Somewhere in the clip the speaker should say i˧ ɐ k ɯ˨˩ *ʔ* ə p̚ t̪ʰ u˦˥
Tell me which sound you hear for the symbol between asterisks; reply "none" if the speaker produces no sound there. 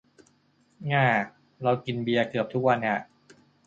none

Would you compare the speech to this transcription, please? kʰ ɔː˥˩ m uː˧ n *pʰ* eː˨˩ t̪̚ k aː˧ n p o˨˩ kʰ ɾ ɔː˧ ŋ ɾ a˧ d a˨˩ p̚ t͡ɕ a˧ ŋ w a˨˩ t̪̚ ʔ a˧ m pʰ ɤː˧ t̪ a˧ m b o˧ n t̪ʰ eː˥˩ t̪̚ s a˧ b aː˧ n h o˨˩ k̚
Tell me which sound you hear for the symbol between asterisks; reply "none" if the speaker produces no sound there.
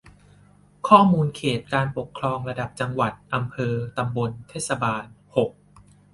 kʰ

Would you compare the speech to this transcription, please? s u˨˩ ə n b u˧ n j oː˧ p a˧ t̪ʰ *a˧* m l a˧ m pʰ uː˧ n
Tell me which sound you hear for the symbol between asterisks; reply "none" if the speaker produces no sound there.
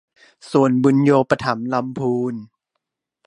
a˩˦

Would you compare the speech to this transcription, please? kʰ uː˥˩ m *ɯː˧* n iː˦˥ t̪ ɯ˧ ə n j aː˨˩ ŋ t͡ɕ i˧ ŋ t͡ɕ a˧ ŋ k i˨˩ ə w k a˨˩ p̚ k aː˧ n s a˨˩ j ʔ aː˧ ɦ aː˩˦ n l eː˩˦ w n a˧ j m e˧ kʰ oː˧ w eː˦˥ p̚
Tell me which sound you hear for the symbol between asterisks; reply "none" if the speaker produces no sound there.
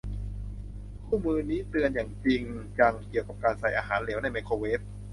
ɯː˧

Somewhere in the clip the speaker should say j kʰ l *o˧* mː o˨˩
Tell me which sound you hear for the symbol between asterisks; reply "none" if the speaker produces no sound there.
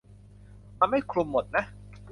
u˧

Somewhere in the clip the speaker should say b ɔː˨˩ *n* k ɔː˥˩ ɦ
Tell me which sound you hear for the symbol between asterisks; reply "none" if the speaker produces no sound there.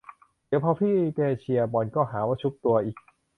n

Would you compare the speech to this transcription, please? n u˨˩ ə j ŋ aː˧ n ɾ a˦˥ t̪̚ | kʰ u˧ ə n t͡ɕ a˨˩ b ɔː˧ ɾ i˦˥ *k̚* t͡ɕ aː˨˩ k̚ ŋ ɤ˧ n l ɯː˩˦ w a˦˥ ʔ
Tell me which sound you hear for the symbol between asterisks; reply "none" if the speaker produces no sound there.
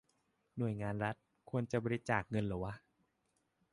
none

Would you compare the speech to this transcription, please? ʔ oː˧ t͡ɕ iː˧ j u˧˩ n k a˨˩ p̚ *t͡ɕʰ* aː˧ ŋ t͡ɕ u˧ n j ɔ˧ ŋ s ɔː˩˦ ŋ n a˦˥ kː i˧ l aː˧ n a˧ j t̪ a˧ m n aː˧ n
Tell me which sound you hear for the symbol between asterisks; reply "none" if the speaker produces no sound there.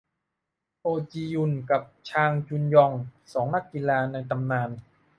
t͡ɕʰ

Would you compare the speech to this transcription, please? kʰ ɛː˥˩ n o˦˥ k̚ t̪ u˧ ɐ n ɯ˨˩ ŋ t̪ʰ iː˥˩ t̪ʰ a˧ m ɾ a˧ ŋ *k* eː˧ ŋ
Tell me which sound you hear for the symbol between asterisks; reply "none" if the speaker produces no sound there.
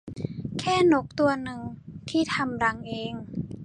ʔ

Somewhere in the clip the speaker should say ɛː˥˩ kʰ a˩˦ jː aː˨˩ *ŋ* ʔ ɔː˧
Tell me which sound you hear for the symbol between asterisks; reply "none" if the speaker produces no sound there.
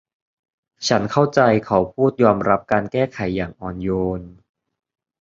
ŋ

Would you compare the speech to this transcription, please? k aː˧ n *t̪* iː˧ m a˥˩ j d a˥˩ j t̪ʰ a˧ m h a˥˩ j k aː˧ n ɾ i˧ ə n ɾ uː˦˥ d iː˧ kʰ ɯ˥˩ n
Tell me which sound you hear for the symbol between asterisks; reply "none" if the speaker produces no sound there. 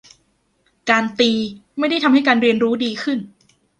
t̪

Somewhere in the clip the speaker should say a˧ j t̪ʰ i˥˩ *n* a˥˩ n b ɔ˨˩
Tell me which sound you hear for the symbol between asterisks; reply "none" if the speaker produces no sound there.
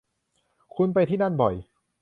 n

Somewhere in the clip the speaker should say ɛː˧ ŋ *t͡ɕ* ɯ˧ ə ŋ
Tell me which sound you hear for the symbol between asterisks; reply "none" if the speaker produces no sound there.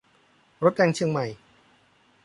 t͡ɕʰ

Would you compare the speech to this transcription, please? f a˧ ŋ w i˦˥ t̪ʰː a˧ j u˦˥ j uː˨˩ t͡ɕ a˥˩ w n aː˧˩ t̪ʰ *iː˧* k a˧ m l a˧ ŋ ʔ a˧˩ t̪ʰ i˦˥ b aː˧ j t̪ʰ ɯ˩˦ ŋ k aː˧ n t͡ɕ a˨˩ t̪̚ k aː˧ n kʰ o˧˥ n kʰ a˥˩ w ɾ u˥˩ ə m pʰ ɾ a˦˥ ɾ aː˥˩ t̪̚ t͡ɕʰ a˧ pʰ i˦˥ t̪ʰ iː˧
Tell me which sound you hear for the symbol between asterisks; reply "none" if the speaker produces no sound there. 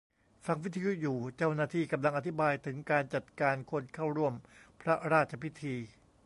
iː˥˩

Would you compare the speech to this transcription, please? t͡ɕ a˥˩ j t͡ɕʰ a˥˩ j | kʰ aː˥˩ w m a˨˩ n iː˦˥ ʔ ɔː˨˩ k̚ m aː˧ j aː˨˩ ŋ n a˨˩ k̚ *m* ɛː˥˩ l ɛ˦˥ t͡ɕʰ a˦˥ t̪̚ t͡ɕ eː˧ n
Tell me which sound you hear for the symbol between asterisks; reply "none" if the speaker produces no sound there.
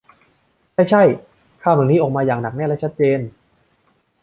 n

